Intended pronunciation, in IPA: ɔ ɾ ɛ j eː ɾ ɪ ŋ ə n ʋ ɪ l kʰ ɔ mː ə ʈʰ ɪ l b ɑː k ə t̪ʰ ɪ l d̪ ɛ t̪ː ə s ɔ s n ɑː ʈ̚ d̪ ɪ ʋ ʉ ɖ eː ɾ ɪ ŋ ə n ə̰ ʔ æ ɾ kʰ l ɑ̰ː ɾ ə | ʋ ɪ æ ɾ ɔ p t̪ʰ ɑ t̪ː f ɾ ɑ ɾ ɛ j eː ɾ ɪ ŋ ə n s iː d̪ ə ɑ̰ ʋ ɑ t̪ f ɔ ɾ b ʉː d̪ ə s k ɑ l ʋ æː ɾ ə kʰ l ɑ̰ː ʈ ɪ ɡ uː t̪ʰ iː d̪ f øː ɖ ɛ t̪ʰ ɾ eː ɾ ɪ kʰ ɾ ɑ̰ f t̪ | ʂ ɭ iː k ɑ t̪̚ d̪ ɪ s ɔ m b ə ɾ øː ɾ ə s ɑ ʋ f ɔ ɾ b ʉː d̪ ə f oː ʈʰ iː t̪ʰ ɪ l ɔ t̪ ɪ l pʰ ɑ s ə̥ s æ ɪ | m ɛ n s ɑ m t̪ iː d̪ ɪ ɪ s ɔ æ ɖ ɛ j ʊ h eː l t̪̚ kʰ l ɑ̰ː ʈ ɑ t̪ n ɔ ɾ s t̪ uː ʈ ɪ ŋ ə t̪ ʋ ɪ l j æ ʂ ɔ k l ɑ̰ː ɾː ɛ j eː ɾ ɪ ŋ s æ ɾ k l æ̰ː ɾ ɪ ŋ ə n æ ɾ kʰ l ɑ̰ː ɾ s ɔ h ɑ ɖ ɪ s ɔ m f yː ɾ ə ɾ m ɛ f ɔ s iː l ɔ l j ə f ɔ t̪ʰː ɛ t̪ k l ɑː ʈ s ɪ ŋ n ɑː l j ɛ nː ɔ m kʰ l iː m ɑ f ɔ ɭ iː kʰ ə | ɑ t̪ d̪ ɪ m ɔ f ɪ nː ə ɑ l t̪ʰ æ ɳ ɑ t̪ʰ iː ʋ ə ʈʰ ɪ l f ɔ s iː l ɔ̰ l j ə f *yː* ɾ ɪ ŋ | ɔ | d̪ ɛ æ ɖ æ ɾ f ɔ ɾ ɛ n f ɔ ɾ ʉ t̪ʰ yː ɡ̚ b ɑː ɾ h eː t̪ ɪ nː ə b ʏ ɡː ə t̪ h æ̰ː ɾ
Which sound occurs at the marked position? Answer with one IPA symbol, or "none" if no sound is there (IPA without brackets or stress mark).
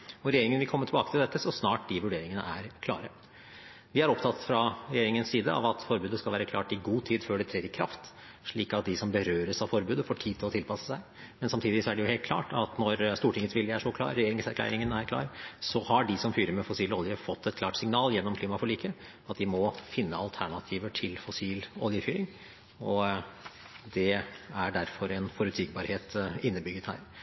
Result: yː